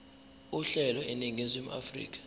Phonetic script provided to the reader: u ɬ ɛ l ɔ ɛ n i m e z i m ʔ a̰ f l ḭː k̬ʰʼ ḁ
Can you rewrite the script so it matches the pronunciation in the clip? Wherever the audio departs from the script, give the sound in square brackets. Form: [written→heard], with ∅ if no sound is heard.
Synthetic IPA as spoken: u ɬ ɛ l ɔ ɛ n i [m→ŋ] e z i m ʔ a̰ f [l→r] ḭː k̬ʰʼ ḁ